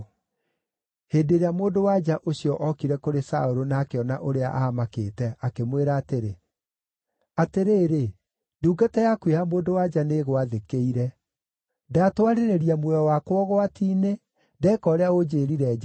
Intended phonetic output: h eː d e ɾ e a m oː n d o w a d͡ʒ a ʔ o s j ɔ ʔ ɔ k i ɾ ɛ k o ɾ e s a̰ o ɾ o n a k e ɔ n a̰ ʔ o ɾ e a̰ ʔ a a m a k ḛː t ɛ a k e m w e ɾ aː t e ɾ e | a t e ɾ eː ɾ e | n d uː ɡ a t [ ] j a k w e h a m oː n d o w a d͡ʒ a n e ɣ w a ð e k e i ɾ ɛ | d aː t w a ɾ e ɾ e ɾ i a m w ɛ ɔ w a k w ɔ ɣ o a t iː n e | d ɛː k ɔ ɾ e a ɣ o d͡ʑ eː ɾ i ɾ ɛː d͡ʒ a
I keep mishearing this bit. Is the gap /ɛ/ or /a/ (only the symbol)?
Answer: ɛ